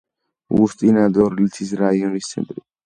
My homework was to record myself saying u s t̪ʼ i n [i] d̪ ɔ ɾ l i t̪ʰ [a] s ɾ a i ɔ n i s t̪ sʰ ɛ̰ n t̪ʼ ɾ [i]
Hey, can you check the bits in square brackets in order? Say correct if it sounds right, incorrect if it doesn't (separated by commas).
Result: incorrect, incorrect, correct